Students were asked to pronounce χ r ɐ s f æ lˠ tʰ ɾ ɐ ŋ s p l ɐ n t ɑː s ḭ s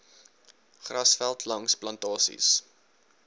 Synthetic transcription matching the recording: χ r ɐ s f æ lˠ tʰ l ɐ ŋ s p l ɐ n t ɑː s ḭ s